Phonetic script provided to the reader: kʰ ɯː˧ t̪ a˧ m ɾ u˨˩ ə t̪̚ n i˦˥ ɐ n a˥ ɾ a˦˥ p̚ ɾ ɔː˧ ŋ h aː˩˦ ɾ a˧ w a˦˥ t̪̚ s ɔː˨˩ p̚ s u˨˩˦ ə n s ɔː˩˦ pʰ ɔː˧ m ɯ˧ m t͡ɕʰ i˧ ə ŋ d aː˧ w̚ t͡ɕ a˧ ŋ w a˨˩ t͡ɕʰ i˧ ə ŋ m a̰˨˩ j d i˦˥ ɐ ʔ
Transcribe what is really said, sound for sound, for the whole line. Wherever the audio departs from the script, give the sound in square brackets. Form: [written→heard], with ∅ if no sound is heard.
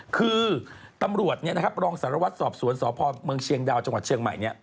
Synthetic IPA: kʰ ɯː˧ t̪ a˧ m ɾ u˨˩ ə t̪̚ n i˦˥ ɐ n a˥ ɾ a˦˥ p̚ ɾ ɔː˧ ŋ [h→s] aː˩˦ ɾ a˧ w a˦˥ t̪̚ s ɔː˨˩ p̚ s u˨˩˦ ə n s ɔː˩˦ pʰ ɔː˧ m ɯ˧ [m→ŋ] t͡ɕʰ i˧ ə ŋ d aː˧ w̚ t͡ɕ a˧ ŋ w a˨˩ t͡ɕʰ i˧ ə ŋ m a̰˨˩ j [d→n] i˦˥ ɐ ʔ